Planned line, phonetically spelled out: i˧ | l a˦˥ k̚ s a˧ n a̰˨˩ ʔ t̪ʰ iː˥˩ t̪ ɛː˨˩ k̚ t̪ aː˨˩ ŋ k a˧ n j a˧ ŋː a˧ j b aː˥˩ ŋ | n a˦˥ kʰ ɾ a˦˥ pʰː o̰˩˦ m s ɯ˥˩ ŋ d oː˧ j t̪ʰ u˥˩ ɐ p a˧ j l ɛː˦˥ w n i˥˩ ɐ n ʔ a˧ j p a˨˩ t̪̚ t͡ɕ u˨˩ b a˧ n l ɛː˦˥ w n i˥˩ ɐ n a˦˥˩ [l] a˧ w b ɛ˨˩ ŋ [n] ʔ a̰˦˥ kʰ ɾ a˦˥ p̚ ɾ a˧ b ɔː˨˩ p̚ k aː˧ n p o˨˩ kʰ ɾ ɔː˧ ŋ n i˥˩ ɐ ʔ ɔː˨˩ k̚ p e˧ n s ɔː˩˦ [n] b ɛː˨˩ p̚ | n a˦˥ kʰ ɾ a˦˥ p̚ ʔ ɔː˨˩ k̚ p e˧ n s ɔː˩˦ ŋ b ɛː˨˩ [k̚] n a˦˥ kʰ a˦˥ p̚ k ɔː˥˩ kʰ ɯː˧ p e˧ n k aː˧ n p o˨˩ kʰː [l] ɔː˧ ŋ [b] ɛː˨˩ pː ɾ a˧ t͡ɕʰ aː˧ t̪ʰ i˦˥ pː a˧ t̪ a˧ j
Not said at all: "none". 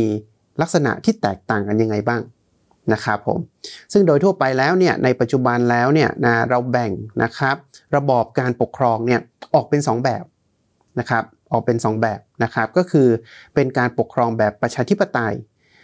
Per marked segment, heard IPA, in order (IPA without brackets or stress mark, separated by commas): ɾ, n, ŋ, p̚, ɾ, b